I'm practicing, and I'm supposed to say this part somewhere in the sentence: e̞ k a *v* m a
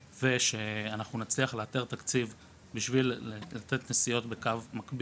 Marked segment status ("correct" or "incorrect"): correct